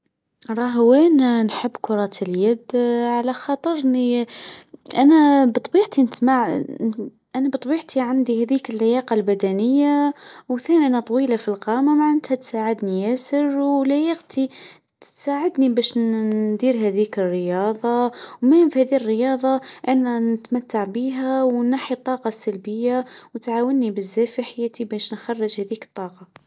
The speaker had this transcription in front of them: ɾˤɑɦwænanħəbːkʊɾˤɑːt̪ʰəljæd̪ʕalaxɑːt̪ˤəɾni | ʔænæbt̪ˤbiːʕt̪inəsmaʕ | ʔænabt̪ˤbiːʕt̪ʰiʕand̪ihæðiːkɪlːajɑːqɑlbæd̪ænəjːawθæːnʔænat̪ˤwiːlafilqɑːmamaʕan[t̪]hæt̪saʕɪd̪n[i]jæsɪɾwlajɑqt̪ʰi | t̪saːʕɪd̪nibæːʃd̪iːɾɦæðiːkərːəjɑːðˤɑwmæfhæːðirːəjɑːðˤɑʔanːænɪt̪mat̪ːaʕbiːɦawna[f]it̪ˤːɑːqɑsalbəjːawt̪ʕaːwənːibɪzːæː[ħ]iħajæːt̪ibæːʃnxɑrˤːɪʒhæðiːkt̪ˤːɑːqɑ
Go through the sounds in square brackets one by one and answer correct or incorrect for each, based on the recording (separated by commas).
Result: correct, correct, incorrect, incorrect